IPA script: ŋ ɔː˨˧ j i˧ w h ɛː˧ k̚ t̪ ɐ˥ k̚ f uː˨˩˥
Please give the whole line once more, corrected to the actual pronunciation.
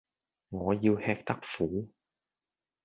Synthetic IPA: ŋ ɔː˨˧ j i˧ w h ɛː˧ k̚ t̪ ɐ˥ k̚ f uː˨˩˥